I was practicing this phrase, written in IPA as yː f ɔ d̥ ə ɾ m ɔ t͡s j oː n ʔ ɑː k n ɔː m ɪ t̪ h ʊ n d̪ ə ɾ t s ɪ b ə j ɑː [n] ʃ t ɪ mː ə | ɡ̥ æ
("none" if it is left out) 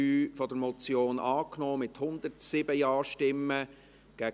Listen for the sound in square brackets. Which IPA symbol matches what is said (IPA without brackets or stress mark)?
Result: none